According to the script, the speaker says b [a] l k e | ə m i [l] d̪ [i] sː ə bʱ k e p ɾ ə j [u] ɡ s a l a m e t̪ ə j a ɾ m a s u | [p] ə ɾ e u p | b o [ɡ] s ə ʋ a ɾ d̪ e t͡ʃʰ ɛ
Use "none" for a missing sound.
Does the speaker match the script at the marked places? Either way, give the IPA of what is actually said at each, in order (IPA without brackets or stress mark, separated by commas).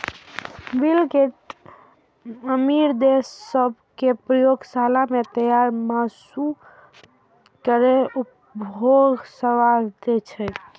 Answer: i, ɾ, e, o, k, ɡ